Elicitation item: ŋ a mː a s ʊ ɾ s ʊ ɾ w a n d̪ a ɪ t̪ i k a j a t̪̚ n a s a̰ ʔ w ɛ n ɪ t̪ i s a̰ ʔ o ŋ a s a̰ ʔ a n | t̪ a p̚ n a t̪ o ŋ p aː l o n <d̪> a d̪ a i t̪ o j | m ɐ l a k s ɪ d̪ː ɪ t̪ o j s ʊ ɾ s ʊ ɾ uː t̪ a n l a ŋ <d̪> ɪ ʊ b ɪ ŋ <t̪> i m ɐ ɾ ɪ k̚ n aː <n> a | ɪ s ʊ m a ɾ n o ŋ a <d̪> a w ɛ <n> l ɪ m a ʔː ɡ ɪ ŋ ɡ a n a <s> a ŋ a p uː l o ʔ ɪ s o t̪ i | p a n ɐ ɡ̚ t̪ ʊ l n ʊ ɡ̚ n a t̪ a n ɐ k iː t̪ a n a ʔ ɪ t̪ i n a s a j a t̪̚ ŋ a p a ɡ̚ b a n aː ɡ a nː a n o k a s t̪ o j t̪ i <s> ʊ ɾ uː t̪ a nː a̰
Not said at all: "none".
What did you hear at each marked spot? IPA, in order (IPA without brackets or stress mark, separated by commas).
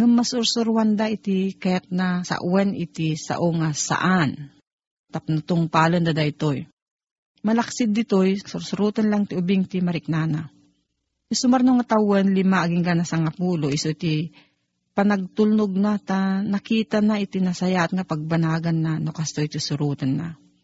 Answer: d̪, t̪, t̪, n, t̪, n, s, s